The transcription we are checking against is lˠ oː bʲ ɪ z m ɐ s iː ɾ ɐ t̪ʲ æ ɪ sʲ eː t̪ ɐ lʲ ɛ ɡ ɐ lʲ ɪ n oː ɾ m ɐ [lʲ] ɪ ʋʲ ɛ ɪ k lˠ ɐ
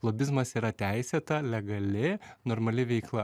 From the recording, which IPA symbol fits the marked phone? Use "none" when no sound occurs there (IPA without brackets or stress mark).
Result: lʲ